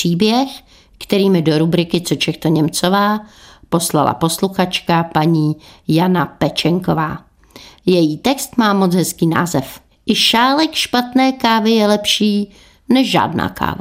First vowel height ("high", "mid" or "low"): high